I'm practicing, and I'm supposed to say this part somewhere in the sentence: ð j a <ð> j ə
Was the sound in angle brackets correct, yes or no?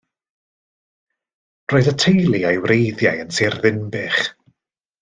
no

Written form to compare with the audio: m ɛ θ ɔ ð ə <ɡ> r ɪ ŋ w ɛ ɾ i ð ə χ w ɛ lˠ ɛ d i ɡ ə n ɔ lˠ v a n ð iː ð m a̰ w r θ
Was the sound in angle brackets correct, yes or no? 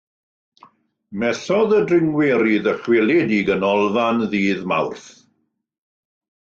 no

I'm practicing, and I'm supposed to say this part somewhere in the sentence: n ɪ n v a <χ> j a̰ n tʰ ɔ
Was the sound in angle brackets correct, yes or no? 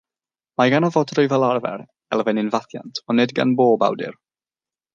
no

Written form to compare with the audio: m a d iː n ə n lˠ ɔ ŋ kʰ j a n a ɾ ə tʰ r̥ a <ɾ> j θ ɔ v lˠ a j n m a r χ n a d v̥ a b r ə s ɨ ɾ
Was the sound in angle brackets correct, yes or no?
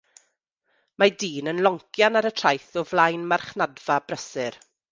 no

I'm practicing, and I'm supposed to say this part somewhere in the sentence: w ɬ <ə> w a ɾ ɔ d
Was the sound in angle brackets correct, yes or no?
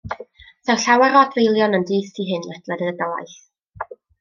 no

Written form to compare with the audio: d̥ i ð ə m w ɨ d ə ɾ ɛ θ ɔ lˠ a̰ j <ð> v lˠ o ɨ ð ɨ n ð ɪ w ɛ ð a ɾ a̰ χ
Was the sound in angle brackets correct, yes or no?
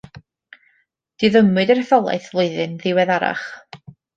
no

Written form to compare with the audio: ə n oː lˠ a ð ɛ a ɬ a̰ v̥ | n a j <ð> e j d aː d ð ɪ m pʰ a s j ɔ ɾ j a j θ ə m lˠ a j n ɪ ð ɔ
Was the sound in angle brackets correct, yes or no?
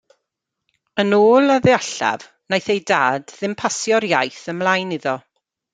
no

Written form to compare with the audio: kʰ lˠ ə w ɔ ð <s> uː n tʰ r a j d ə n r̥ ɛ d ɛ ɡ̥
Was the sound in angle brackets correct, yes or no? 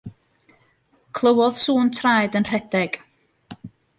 yes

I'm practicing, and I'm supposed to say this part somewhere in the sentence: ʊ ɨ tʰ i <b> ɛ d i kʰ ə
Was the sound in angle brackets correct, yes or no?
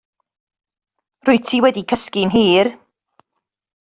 no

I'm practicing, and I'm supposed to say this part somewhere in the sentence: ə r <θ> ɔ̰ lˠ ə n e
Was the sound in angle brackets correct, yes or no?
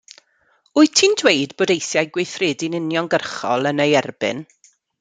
no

